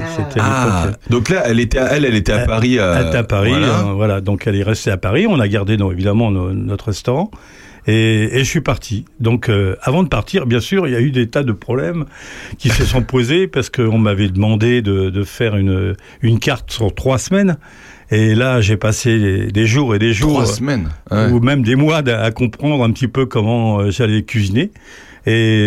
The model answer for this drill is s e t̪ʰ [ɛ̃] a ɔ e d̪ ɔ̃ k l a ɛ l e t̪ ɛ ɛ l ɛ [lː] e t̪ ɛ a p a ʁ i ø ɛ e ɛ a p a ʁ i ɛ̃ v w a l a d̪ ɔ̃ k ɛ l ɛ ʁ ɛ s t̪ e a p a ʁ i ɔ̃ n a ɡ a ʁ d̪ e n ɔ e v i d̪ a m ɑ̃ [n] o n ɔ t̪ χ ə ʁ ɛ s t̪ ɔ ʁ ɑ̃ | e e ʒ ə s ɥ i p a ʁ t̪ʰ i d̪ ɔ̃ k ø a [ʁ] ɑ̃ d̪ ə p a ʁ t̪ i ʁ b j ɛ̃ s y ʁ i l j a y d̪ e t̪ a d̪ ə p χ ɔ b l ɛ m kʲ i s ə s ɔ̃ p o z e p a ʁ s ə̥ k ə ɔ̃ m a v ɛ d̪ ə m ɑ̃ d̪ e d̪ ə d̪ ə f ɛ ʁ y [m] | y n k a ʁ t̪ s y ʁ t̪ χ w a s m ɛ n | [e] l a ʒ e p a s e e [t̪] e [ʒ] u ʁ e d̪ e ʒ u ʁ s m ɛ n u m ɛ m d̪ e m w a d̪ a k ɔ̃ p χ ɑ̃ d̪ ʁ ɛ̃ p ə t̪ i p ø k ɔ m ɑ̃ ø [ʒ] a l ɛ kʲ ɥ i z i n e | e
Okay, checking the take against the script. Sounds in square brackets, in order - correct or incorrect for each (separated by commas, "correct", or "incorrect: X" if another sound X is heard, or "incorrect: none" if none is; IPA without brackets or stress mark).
incorrect: ɛ, incorrect: l, correct, incorrect: v, incorrect: n, correct, incorrect: d̪, correct, correct